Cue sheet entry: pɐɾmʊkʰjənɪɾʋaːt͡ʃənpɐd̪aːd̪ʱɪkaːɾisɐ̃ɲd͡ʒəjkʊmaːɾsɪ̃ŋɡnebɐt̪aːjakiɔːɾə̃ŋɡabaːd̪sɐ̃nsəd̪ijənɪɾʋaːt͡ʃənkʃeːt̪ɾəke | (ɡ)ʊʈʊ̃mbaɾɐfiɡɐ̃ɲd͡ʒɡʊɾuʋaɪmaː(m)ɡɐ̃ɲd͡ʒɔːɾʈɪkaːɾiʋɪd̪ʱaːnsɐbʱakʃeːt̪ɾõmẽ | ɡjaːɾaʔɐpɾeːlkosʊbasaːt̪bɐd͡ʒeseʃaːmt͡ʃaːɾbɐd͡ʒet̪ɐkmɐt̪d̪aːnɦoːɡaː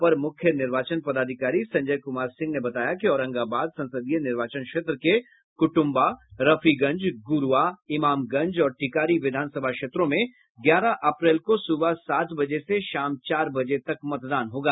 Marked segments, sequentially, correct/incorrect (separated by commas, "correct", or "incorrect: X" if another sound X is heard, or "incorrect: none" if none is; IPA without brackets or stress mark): incorrect: k, correct